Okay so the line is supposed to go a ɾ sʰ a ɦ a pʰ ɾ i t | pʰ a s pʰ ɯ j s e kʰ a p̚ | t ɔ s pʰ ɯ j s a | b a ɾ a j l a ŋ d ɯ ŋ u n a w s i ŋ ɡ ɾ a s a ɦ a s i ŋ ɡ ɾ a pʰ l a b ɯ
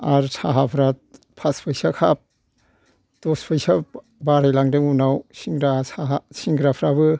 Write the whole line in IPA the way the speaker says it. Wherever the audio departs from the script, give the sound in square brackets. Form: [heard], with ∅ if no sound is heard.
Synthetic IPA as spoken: a ɾ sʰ a ɦ a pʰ ɾ [a] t | pʰ a s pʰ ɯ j s [a] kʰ a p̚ | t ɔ s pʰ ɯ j s a | b a ɾ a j l a ŋ d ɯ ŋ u n a w s i ŋ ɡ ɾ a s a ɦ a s i ŋ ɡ ɾ a pʰ [ɾ] a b ɯ